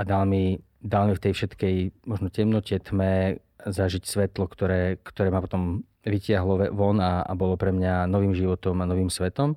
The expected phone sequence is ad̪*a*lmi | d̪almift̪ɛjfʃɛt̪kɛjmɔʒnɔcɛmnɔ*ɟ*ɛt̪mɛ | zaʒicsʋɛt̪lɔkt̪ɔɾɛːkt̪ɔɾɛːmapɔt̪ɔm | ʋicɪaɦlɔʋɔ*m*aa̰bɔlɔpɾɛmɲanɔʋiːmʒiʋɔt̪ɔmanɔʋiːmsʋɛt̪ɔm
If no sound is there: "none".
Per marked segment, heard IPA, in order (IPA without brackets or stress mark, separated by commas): a, c, n